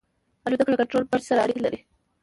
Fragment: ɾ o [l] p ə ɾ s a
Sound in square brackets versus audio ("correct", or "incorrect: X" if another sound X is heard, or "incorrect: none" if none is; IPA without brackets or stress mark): correct